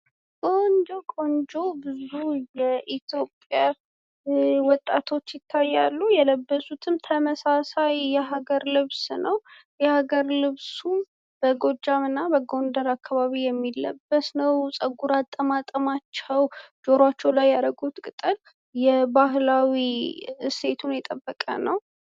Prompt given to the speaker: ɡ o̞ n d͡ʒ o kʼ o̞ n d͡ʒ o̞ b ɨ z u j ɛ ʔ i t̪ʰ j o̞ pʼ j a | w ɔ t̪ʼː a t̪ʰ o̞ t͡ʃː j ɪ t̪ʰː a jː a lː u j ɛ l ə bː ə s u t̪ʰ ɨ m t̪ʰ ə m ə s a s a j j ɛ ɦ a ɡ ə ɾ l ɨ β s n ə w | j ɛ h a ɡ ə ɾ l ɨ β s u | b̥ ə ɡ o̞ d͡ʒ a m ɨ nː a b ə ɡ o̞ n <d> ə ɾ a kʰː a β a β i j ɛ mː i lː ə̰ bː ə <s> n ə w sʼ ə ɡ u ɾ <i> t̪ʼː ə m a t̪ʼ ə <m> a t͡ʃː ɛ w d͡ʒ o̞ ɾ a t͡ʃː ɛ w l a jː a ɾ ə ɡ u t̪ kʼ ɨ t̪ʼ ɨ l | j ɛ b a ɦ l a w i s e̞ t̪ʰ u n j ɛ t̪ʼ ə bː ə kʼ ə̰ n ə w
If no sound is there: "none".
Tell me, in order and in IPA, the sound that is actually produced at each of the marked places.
d, s, a, m

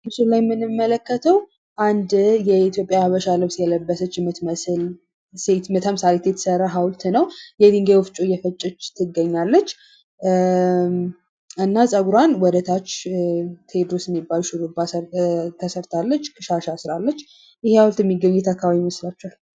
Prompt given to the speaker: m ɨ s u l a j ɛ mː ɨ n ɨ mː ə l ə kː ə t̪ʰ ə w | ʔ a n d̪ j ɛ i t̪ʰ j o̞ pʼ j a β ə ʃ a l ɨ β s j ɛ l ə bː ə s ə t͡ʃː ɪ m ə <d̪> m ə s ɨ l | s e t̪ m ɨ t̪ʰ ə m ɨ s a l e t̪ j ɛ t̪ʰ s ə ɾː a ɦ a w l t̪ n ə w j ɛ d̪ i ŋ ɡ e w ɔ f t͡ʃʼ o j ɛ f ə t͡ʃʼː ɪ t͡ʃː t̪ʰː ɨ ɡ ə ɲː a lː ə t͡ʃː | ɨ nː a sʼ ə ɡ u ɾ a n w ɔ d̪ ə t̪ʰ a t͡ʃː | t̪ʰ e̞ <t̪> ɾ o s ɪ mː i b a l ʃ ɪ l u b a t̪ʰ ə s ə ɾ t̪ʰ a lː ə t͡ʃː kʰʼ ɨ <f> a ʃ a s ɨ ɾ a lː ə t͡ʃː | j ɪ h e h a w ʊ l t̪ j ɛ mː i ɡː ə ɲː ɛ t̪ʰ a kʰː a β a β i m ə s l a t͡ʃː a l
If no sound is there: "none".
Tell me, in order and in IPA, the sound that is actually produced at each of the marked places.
t̪, d̪, ʃ

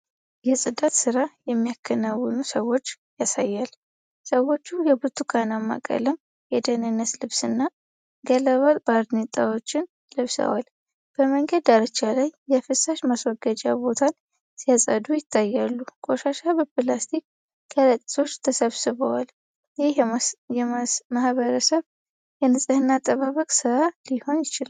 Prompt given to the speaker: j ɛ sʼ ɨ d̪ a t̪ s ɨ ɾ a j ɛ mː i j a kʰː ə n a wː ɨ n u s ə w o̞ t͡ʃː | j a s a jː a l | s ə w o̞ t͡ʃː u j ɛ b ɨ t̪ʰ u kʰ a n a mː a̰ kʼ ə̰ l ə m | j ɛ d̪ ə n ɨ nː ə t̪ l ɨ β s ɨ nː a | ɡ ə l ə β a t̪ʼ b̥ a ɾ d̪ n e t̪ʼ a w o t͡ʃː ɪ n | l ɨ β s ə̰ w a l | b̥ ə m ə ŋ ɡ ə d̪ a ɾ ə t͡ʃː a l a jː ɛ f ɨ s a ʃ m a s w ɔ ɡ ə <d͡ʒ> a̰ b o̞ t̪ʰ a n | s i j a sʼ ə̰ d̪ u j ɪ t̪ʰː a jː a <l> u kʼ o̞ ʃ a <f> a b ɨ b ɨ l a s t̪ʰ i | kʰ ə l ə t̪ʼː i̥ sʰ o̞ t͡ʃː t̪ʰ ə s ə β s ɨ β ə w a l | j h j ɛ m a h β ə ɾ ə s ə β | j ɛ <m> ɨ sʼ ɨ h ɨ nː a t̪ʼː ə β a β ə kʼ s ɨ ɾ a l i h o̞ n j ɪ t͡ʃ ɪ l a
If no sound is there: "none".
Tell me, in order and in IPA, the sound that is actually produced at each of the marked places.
d͡ʒ, lː, ʃ, n

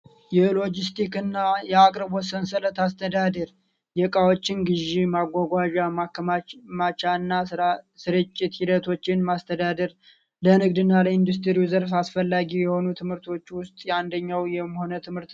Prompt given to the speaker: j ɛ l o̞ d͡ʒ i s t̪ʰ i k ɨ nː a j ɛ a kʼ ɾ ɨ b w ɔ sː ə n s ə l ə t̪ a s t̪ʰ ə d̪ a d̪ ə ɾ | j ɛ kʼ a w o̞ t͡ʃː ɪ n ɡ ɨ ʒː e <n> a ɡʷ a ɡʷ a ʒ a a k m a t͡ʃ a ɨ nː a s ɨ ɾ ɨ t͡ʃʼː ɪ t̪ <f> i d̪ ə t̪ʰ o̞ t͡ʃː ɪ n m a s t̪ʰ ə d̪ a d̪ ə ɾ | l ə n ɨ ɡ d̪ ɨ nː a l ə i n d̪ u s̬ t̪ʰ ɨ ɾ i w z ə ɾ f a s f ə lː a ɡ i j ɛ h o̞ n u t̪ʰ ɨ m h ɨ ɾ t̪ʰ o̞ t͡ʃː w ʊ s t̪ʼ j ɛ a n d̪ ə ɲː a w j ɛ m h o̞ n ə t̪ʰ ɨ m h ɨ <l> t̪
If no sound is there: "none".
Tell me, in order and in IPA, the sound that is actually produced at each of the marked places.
m, h, ɾ

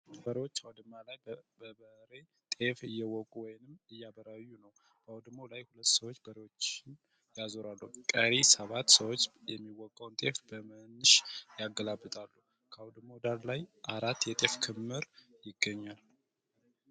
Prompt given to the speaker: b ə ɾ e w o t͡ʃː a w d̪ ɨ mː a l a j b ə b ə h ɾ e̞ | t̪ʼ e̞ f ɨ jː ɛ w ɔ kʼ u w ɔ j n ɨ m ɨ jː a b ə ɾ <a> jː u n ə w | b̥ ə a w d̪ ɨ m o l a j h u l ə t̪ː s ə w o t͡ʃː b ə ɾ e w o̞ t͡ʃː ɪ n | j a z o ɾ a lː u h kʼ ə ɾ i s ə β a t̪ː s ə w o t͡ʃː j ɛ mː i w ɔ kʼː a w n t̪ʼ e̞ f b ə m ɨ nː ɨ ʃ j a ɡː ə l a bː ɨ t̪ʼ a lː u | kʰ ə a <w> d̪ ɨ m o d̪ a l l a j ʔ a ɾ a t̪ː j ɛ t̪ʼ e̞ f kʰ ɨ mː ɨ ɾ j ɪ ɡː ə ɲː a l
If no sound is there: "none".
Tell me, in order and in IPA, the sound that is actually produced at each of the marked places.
a, w

